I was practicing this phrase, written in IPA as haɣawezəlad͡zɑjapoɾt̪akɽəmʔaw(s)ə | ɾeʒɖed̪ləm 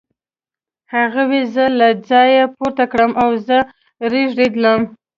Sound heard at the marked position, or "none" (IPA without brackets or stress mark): z